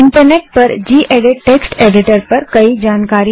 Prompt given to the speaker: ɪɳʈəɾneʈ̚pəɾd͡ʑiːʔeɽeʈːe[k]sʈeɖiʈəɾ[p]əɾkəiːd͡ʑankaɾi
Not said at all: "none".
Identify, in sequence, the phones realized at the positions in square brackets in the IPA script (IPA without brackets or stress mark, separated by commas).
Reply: k, p